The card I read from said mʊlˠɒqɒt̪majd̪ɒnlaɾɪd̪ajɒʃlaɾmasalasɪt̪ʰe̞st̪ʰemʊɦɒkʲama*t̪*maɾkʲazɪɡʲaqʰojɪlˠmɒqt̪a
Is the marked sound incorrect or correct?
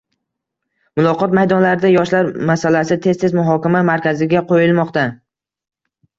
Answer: incorrect